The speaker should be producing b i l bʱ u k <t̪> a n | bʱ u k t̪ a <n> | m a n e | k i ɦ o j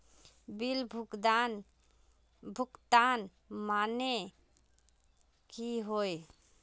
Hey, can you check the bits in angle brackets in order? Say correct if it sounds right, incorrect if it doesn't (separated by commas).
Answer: incorrect, correct